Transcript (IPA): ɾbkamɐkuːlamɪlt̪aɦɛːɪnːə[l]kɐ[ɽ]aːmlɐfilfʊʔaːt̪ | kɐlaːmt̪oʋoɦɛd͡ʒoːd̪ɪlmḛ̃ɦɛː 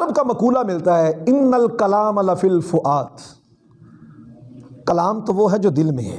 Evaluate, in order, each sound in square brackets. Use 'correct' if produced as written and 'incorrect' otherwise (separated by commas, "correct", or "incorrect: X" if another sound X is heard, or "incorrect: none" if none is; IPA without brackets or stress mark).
correct, incorrect: l